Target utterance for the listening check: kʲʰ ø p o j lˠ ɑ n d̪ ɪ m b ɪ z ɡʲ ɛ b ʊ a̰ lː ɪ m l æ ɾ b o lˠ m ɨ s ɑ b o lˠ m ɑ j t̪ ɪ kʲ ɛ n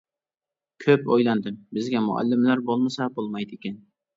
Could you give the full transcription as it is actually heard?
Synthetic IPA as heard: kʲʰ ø p o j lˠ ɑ n d̪ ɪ m b ɪ z ɡʲ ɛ m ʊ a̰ lː ɪ m l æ ɾ b o lˠ m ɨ s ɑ b o lˠ m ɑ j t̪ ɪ kʲ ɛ n